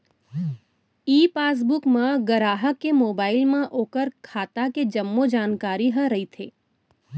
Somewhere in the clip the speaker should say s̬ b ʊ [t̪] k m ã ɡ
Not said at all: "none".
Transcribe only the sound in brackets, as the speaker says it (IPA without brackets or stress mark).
none